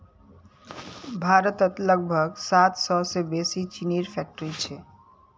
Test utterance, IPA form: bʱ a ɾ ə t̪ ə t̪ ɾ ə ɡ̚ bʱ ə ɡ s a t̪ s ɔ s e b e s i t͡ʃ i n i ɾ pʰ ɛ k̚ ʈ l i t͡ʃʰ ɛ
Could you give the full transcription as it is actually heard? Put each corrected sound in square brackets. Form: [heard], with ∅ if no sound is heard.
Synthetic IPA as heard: bʱ a ɾ ə t̪ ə t̪ [l] ə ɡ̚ bʱ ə ɡ s a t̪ s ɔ s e b e s i t͡ʃ i n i ɾ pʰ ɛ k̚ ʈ [ɾ] i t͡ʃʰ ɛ